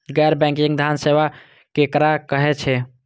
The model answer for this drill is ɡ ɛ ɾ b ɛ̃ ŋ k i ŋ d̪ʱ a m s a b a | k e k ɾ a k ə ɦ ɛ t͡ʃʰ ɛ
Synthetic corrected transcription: ɡ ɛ ɾ b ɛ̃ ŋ k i ŋ d̪ʱ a n s e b a | k e k ɾ a k ə ɦ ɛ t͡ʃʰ ɛ